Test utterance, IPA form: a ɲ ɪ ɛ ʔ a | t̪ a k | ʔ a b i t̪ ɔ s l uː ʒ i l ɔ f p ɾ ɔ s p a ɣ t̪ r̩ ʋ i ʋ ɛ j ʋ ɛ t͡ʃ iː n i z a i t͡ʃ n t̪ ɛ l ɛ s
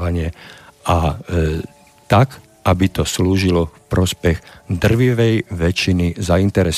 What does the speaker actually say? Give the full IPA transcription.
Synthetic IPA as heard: a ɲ ɪ ɛ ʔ a | t̪ a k | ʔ a b i t̪ ɔ s l uː ʒ i l ɔ f p ɾ ɔ s p ɛ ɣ d̪ r̩ ʋ i ʋ ɛ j ʋ ɛ t͡ʃ i n i z a i n t̪ ɛ ɾ ɛ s